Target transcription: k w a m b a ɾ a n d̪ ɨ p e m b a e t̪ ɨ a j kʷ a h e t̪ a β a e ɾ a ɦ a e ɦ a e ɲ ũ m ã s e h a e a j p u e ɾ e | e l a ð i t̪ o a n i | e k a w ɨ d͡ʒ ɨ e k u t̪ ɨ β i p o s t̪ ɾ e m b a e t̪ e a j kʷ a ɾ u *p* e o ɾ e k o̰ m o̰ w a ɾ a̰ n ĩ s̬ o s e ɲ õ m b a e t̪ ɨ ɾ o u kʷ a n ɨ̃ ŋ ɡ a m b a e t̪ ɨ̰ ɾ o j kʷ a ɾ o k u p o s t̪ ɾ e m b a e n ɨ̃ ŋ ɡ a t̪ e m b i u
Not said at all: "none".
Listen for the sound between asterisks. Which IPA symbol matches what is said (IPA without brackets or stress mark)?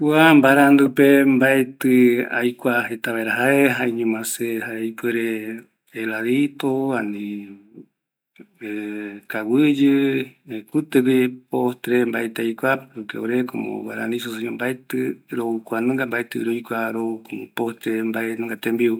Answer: k